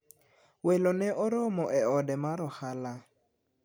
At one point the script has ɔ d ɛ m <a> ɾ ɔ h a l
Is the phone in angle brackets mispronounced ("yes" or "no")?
no